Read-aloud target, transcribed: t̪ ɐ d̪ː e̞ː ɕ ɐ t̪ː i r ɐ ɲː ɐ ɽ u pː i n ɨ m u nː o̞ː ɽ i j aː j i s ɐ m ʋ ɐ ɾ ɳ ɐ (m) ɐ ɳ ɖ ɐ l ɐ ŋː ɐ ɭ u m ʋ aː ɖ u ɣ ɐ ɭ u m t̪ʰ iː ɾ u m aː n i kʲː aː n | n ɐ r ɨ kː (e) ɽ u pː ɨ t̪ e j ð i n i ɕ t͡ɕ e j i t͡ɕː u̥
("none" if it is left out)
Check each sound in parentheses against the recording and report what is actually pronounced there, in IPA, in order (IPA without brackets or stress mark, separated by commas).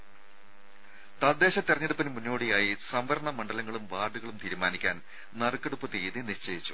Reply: m, e